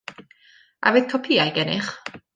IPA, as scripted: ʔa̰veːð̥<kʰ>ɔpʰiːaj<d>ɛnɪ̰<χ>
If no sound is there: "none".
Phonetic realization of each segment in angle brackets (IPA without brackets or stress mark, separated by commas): kʰ, ɡ, χ